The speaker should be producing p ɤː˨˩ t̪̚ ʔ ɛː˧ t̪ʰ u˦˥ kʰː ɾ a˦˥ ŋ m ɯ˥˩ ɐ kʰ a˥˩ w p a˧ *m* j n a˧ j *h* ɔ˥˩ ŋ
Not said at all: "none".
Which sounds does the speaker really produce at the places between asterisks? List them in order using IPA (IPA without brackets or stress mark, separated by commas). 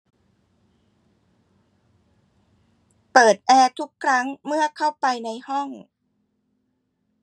none, h